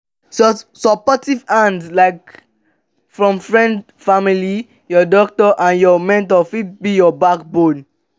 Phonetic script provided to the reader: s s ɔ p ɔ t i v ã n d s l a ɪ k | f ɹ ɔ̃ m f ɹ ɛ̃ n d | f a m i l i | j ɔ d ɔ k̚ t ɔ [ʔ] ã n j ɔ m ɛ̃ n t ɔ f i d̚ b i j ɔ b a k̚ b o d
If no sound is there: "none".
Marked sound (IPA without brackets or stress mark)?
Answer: ʔ